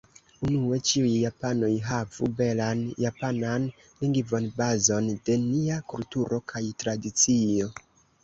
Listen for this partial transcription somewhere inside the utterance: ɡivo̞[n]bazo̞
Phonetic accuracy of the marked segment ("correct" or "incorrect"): correct